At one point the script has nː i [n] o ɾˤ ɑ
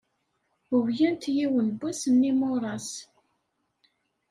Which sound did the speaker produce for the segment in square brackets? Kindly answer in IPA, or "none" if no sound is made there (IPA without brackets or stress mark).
m